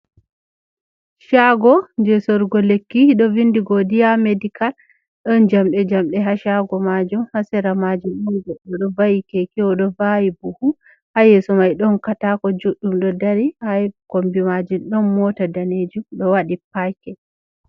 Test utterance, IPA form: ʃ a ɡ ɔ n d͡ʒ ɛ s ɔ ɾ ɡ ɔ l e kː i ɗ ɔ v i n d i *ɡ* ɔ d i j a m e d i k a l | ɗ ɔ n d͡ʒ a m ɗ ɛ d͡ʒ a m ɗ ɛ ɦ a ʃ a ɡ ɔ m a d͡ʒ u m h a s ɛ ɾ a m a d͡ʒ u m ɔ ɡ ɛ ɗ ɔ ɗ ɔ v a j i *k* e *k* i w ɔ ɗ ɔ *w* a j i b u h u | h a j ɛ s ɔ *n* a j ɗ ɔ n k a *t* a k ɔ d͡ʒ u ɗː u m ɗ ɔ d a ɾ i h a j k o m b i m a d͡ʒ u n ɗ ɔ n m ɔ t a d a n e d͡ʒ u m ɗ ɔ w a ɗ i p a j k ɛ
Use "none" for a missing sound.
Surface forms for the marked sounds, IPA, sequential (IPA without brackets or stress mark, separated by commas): ɡ, k, k, v, m, t